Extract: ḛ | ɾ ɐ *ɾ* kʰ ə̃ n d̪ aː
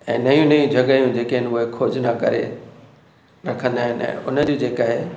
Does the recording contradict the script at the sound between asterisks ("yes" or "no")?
yes